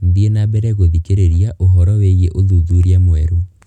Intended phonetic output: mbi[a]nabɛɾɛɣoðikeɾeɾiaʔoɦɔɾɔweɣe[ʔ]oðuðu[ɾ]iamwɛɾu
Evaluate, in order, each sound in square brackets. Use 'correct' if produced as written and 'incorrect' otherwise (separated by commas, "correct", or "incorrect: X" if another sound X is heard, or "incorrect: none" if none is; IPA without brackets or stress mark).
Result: incorrect: e, correct, correct